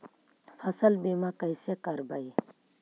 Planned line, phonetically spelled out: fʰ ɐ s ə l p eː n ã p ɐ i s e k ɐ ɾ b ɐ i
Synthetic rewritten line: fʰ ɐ s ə l b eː m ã k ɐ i s e k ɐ ɾ b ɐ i